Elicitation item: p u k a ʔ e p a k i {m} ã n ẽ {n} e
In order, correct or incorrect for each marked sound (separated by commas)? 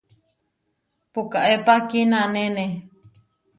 incorrect, correct